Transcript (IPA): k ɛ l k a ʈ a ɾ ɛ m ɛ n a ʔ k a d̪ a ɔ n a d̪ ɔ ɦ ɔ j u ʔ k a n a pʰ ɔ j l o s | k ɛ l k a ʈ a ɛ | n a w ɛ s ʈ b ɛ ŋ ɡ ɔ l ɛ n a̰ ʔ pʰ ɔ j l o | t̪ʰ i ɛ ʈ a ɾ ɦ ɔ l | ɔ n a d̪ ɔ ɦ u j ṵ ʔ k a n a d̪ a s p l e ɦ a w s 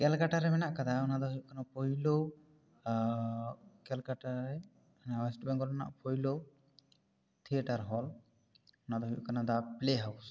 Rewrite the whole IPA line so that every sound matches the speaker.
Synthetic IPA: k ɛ l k a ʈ a ɾ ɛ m ɛ n a ʔ k a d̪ a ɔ n a d̪ ɔ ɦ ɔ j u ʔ k a n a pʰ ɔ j l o | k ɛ l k a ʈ a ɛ | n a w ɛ s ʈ b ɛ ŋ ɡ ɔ l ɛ n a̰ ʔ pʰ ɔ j l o | t̪ʰ i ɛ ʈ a ɾ ɦ ɔ l | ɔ n a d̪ ɔ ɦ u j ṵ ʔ k a n a d̪ a p l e ɦ a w s